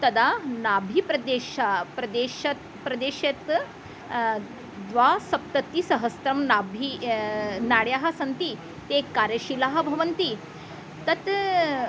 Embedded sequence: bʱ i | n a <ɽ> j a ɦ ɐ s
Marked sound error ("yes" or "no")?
no